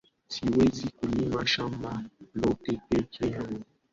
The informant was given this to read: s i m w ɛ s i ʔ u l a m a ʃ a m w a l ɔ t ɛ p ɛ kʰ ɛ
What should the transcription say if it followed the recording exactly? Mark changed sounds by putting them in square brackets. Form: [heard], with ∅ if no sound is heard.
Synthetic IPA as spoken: s i [∅] w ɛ [z] i [k] u l [i] m a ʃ a m [b] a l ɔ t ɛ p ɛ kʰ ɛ